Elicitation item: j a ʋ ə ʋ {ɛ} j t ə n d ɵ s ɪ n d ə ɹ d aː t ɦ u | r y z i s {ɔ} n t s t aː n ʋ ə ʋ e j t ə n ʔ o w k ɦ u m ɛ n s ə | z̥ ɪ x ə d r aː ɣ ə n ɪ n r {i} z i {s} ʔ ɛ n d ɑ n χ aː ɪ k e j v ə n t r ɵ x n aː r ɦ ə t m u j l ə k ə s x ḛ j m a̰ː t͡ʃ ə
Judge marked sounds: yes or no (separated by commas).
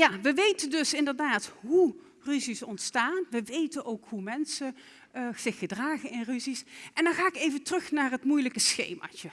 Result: no, yes, no, yes